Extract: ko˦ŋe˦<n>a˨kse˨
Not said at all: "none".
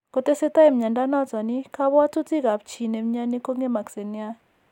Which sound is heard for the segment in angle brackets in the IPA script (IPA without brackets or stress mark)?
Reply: m